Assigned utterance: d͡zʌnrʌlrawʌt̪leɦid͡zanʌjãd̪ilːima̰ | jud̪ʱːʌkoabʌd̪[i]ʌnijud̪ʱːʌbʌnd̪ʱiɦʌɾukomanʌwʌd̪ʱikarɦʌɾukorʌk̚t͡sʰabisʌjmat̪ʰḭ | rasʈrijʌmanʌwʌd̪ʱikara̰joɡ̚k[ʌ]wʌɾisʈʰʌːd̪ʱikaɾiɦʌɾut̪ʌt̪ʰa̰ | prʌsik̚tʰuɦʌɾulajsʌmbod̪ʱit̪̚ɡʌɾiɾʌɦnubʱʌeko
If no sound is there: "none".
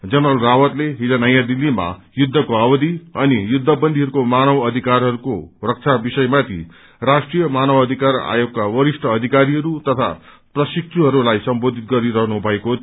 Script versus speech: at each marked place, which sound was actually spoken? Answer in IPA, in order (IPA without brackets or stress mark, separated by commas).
i, a